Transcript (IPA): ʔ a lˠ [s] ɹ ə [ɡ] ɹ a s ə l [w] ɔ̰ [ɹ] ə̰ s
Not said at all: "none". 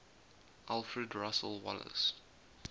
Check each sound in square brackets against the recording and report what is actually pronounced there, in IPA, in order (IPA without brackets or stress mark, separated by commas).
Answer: f, d, w, l